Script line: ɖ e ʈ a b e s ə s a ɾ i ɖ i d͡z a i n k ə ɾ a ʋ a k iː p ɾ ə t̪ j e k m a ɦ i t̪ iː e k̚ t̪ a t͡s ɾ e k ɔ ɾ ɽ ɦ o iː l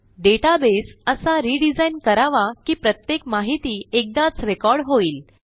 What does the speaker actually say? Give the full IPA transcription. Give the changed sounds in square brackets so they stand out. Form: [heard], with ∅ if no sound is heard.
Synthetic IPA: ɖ e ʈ a b e s ə s a ɾ i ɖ i d͡z a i n k ə ɾ a ʋ a k iː p ɾ ə t̪ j e k m a ɦ i t̪ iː e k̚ [d̪] a t͡s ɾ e k ɔ ɾ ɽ ɦ o iː l

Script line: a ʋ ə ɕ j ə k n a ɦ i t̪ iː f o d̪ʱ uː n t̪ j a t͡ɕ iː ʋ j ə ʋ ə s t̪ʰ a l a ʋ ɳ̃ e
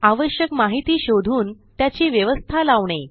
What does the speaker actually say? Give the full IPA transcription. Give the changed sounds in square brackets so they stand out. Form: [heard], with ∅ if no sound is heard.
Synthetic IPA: a ʋ ə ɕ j ə k [m] a ɦ i t̪ iː [ɕ] o d̪ʱ uː n t̪ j a t͡ɕ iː ʋ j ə ʋ ə s t̪ʰ a l a ʋ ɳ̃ e

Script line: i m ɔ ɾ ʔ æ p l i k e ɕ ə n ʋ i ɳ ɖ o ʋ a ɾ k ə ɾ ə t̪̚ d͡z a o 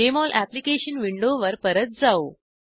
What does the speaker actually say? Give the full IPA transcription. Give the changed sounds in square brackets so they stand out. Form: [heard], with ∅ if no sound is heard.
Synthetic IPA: [e] m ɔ [l] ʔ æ p l i k e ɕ ə n ʋ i ɳ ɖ o ʋ [ə] ɾ [p] ə ɾ ə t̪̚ d͡z a o

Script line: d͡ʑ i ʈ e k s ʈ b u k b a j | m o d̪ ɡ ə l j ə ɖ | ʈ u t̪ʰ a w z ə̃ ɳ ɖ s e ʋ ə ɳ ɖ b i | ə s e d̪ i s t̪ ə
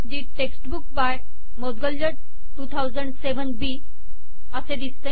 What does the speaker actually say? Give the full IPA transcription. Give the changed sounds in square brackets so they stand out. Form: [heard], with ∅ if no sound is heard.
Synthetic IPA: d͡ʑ i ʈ e k s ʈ b u k b a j | m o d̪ ɡ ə l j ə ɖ | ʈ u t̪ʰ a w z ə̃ ɳ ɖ s e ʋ ə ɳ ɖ b i | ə s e d̪ i s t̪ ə

